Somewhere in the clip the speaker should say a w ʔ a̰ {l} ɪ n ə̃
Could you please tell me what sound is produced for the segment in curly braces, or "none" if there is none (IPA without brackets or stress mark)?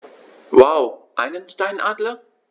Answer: none